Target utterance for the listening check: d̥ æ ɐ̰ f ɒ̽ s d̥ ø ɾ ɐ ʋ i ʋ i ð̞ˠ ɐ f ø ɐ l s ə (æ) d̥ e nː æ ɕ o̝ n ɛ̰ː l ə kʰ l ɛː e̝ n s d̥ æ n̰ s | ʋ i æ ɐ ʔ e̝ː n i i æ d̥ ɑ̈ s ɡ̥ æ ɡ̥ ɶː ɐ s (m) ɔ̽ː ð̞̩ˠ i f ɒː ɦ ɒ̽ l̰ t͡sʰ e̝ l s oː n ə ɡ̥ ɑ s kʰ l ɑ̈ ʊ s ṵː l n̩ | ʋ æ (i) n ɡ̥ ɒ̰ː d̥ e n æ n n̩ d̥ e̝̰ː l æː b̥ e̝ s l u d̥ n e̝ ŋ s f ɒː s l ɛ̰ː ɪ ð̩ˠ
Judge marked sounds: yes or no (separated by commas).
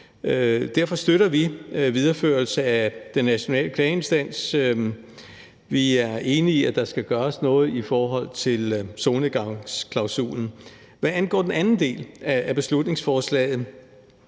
yes, no, no